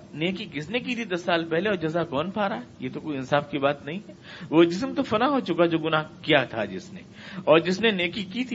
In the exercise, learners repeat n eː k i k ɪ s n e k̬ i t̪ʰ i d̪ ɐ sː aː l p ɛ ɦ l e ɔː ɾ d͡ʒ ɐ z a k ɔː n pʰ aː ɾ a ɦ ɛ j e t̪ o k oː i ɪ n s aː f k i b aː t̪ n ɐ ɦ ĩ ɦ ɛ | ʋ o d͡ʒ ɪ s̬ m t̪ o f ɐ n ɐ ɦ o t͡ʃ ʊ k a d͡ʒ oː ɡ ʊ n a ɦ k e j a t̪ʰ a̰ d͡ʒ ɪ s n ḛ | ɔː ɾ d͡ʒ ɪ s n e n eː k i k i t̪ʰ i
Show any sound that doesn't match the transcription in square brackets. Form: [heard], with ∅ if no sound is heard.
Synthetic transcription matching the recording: n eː k i k ɪ s n e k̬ i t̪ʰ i d̪ ɐ sː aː l p ɛ ɦ l e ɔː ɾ d͡ʒ ɐ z a k ɔː n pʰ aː ɾ a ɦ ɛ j e t̪ o k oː i ɪ n s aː f k i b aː t̪ n ɐ ɦ ĩ ɦ ɛ | ʋ o d͡ʒ ɪ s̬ m t̪ o f ɐ n [a] ɦ o t͡ʃ ʊ k a d͡ʒ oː ɡ ʊ n a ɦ k [i] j a t̪ʰ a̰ d͡ʒ ɪ s n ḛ | ɔː ɾ d͡ʒ ɪ s n e n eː k i k i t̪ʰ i